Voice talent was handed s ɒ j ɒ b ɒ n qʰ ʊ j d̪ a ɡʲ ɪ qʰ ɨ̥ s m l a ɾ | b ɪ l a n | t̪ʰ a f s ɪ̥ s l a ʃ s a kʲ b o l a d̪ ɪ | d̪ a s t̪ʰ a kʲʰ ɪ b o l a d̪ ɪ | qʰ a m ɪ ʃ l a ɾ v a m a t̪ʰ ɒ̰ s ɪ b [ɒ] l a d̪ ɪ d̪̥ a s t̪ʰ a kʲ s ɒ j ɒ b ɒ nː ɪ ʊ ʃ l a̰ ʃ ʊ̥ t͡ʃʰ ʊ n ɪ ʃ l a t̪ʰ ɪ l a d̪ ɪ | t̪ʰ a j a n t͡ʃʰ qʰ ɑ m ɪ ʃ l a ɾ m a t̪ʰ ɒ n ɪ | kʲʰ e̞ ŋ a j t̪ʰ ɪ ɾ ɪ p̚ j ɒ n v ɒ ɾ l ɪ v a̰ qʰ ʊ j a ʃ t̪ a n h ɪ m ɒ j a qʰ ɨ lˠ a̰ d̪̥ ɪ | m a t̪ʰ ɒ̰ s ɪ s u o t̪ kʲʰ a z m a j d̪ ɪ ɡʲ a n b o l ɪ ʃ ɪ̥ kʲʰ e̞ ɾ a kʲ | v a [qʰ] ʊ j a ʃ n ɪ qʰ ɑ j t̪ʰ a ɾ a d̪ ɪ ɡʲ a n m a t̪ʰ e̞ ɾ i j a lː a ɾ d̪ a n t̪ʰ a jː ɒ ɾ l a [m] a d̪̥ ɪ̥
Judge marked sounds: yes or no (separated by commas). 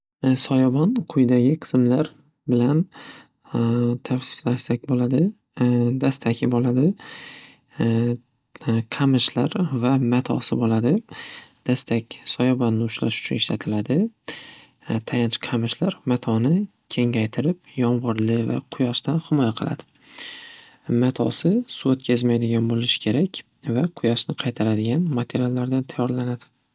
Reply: no, yes, no